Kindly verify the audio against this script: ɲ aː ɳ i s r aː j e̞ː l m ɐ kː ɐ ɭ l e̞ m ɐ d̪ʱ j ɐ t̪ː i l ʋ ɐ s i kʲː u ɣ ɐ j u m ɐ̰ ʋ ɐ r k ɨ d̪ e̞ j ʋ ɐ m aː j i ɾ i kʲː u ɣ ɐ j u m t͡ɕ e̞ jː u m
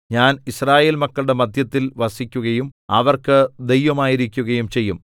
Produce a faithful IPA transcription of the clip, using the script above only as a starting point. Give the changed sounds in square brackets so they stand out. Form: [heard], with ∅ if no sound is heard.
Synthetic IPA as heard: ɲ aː [n] i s r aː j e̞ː l m ɐ kː ɐ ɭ [ɽ] e̞ m ɐ d̪ʱ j ɐ t̪ː i l ʋ ɐ s i kʲː u ɣ ɐ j u m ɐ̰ ʋ ɐ r k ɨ d̪ e̞ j ʋ ɐ m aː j i ɾ i kʲː u ɣ ɐ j u m t͡ɕ e̞ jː u m

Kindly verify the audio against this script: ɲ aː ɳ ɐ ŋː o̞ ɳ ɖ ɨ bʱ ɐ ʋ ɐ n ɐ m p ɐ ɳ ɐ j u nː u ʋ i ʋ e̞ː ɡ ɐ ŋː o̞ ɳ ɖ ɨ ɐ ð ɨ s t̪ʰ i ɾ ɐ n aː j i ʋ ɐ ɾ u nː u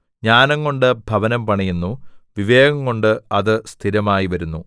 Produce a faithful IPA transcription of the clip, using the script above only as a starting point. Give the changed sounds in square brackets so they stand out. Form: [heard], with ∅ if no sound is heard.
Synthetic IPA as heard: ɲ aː [n] ɐ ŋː o̞ ɳ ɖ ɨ bʱ ɐ ʋ ɐ n ɐ m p ɐ ɳ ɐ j u nː u ʋ i ʋ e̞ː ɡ ɐ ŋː o̞ ɳ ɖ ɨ ɐ ð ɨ s t̪ʰ i ɾ ɐ [m] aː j i ʋ ɐ ɾ u nː u

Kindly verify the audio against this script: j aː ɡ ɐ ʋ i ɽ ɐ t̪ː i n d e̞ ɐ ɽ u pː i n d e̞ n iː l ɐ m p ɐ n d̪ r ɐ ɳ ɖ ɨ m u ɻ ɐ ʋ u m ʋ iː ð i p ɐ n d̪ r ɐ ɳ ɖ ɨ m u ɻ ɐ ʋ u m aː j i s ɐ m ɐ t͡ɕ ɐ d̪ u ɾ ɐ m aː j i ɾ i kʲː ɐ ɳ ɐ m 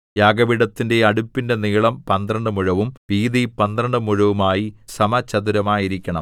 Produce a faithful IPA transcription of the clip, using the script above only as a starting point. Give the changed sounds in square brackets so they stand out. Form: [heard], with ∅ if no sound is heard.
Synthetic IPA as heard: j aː ɡ ɐ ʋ i ɽ ɐ t̪ː i n d e̞ ɐ ɽ u pː i n d e̞ n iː [ɭ] ɐ m p ɐ n d̪ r ɐ ɳ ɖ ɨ m u ɻ ɐ ʋ u m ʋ iː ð i p ɐ n d̪ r ɐ ɳ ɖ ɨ m u ɻ ɐ ʋ u m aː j i s ɐ m ɐ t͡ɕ ɐ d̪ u ɾ ɐ m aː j i ɾ i kʲː ɐ ɳ ɐ m

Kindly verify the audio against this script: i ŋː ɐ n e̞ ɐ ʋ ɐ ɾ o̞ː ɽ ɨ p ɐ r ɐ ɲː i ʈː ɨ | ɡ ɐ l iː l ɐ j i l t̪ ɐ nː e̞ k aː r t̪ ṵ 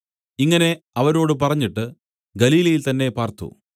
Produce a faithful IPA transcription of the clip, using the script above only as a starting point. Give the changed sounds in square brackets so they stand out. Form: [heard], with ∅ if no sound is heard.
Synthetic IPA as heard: i ŋː ɐ n e̞ ɐ ʋ ɐ ɾ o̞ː ɽ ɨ p ɐ r ɐ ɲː i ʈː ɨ | ɡ ɐ l iː l ɐ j i l t̪ ɐ nː e̞ [p] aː r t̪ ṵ

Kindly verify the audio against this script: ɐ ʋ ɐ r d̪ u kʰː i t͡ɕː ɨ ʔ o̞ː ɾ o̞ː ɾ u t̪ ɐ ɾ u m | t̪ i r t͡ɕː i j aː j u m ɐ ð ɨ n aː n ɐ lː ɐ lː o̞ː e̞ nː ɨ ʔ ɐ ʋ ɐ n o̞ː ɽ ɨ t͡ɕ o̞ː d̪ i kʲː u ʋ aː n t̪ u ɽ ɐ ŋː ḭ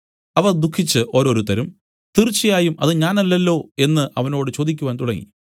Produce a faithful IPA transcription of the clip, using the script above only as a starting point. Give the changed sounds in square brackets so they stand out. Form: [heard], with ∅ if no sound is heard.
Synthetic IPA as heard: ɐ ʋ ɐ r d̪ u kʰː i t͡ɕː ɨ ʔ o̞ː ɾ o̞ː ɾ u t̪ ɐ ɾ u m | t̪ i r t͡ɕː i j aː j u m ɐ ð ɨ [ɲ] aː n ɐ lː ɐ lː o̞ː e̞ nː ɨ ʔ ɐ ʋ ɐ n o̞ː ɽ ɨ t͡ɕ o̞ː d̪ i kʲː u ʋ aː n t̪ u ɽ ɐ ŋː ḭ

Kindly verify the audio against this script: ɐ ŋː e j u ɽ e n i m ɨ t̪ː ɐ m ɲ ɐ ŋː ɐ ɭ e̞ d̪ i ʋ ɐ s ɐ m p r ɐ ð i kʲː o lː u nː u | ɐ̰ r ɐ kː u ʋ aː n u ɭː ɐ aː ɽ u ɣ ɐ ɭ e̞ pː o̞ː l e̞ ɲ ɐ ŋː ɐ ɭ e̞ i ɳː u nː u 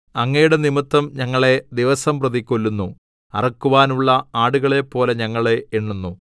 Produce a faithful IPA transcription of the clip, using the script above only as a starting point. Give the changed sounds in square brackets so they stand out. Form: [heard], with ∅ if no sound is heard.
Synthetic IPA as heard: ɐ ŋː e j u ɽ e n i m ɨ t̪ː ɐ m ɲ ɐ ŋː ɐ ɭ e̞ d̪ i ʋ ɐ s ɐ m p r ɐ ð i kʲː o lː u nː u | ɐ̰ r ɐ kː u ʋ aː n u ɭː ɐ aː ɽ u ɣ ɐ ɭ e̞ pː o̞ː l e̞ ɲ ɐ ŋː ɐ ɭ e̞ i ɳː u nː u

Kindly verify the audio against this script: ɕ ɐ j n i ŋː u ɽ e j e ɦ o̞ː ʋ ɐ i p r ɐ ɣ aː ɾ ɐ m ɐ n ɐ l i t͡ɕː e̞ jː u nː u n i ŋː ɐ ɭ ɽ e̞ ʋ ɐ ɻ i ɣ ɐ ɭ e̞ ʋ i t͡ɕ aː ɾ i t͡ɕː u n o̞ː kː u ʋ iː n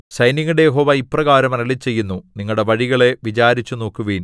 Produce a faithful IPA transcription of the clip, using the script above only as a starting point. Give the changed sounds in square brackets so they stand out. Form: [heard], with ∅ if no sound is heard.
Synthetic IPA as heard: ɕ ɐ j n i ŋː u ɽ e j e ɦ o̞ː ʋ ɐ i p r ɐ ɣ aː ɾ ɐ m ɐ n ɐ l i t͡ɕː e̞ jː u nː u n i ŋː ɐ ɭ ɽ e̞ ʋ ɐ ɻ i ɣ ɐ ɭ e̞ ʋ i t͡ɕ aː ɾ i t͡ɕː u n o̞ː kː u ʋ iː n

